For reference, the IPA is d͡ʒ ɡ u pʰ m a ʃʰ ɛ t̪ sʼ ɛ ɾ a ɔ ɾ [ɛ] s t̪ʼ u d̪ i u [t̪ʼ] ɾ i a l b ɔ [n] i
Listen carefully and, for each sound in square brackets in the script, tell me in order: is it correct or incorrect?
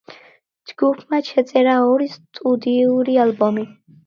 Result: incorrect, incorrect, incorrect

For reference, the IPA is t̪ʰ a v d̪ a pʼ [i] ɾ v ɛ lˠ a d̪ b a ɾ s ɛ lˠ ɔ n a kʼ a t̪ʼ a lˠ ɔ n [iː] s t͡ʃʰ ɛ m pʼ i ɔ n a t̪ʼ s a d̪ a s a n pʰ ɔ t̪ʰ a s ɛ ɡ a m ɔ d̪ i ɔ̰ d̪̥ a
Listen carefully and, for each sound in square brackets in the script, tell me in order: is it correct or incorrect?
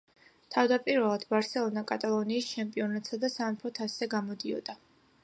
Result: correct, correct

